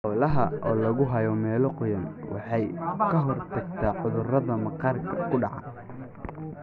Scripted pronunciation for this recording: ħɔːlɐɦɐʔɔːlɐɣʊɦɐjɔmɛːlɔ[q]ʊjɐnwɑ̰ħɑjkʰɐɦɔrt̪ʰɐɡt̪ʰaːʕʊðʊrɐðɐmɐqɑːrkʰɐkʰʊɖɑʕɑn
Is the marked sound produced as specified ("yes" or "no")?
yes